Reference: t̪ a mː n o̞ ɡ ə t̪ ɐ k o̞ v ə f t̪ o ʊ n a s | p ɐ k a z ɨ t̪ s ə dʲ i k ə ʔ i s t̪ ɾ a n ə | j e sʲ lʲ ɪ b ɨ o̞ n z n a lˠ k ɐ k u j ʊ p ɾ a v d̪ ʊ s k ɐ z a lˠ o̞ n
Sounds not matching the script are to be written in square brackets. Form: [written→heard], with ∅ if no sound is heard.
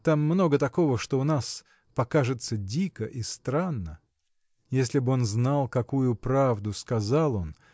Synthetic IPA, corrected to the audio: t̪ a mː n o̞ ɡ ə t̪ ɐ k o̞ v ə [f→ʂ] t̪ o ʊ n a s | p ɐ k a [z→ʐ] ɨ t̪ s ə dʲ i k ə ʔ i s t̪ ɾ a [n→nː] ə | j e sʲ lʲ ɪ b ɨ o̞ n z n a lˠ k ɐ k u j ʊ p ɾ a v d̪ ʊ s k ɐ z a lˠ o̞ n